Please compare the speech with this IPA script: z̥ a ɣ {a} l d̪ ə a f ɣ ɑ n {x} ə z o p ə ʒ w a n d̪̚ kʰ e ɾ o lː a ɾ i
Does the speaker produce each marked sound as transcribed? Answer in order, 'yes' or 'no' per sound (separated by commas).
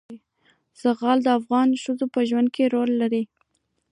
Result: no, no